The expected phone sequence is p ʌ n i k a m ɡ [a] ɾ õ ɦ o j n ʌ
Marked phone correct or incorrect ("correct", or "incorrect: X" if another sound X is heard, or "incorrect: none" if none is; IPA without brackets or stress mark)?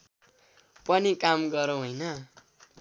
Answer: incorrect: ʌ